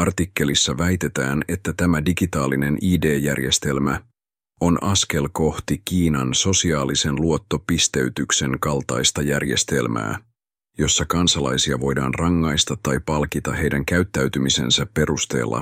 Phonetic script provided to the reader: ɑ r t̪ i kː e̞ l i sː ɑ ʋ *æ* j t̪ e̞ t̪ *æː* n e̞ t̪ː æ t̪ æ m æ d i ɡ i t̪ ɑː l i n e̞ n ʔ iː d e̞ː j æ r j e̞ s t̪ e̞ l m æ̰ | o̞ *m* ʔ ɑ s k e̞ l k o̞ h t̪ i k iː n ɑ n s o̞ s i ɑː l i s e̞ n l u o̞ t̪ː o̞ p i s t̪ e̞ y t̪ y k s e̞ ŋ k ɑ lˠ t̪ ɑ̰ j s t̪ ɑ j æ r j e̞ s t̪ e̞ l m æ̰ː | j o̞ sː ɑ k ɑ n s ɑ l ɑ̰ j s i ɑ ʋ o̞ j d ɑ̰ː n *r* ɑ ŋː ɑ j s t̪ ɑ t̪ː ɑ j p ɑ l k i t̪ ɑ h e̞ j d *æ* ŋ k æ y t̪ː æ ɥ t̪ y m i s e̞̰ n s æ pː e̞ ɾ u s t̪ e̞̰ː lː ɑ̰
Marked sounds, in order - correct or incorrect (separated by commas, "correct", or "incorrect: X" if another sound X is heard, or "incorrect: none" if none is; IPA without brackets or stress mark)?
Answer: correct, correct, incorrect: n, correct, correct